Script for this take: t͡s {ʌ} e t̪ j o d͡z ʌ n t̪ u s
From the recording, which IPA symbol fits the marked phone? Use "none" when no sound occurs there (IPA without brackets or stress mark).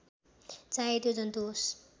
a